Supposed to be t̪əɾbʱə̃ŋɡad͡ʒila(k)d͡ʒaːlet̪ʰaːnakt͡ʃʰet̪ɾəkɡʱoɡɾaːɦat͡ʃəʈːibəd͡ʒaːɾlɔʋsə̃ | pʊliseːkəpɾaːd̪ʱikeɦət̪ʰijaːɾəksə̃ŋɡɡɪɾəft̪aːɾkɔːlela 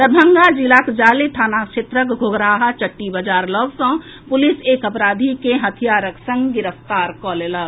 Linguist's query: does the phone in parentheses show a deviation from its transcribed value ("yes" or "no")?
no